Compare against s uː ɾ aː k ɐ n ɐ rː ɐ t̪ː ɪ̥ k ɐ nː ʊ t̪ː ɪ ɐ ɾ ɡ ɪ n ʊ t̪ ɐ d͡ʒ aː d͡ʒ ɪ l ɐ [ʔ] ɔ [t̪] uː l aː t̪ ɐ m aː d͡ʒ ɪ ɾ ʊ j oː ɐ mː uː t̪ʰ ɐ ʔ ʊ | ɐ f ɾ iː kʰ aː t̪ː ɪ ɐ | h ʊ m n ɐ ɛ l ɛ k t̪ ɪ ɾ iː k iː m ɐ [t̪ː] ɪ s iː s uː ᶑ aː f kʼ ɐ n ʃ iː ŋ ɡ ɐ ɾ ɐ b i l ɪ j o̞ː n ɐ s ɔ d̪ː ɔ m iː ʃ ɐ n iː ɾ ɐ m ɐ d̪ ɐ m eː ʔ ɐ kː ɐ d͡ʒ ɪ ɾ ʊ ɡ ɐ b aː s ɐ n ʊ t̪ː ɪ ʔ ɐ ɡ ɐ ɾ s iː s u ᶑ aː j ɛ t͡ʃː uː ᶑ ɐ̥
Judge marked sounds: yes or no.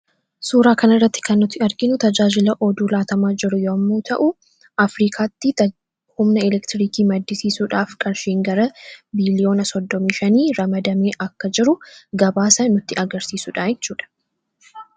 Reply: yes, no, no

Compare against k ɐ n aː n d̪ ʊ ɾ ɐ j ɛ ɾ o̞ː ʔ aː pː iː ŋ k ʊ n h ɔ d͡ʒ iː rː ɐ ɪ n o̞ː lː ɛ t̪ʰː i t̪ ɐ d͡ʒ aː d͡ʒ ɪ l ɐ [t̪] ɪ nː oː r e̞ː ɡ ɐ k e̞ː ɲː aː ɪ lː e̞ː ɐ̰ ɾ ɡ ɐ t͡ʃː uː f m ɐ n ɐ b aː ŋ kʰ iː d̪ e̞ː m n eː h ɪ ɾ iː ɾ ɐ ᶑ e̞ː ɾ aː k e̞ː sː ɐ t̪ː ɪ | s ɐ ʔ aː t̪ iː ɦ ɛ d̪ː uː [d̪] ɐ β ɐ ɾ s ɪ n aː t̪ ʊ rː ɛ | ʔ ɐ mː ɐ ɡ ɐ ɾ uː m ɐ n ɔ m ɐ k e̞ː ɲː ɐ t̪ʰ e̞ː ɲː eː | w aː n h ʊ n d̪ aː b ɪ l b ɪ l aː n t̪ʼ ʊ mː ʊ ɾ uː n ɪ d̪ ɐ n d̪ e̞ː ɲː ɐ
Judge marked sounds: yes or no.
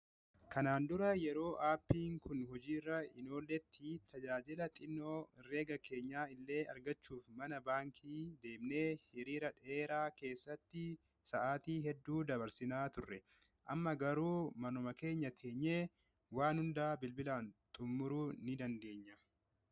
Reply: no, yes

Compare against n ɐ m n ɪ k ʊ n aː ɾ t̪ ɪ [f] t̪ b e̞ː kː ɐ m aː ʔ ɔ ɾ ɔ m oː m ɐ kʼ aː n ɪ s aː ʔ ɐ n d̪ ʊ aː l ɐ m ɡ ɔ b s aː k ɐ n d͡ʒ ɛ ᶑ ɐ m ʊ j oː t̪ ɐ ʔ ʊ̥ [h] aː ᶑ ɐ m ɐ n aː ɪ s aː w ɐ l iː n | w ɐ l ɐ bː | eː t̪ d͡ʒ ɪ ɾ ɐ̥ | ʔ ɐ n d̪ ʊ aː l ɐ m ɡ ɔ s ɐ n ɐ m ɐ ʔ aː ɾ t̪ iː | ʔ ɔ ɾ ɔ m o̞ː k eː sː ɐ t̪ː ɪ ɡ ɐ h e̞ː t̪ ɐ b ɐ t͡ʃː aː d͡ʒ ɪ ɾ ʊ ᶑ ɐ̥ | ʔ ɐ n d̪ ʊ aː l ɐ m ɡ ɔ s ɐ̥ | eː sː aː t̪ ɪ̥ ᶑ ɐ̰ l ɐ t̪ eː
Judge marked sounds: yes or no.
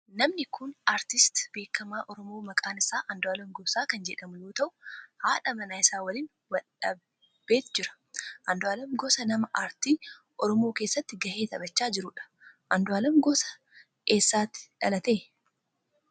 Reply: no, yes

